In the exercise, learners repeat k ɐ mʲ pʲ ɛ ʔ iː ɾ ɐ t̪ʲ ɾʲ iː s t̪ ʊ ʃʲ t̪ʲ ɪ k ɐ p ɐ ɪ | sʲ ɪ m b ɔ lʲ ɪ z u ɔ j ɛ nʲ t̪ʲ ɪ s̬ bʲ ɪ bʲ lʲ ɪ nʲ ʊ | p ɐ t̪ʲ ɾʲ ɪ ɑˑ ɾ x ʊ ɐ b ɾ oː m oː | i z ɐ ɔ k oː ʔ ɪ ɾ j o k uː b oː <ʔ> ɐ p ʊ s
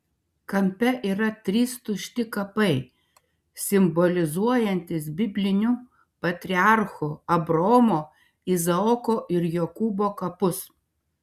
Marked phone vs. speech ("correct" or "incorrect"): incorrect